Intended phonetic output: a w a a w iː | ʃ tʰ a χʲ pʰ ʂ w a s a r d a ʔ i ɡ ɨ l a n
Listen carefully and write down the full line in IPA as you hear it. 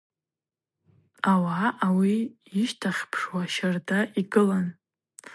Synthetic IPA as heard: a w a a w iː | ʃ tʰ a χʲ pʰ ʂ w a ʃ a r d a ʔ i ɡ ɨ l a n